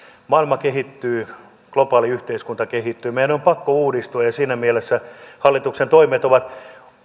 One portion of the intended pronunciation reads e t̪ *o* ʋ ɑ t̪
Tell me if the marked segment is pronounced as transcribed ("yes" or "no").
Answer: yes